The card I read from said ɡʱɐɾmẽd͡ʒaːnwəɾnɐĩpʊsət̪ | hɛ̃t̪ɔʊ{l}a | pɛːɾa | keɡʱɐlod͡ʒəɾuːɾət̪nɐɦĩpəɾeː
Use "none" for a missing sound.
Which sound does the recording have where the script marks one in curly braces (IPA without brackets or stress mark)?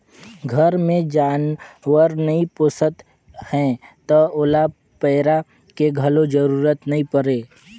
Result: l